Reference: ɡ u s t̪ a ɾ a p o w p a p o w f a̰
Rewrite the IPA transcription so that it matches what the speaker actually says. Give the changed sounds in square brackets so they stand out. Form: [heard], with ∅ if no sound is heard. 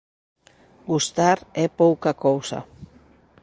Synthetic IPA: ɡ u s t̪ a ɾ [e] p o w [k] a [k] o w [s] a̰